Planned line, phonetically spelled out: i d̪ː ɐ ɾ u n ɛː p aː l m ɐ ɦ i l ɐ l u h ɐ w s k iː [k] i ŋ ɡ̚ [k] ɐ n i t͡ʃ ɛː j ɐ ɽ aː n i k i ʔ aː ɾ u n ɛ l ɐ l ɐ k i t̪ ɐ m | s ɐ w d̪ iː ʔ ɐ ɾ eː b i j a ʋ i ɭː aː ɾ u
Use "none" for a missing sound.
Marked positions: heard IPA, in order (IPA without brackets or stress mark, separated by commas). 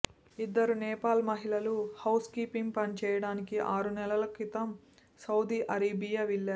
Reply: p, p